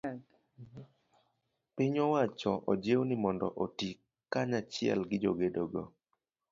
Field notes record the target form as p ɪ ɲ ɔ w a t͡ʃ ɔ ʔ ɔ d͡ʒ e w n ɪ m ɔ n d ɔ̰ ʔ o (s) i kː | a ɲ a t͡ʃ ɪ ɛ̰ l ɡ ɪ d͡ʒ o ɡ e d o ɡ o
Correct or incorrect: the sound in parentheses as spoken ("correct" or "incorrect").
incorrect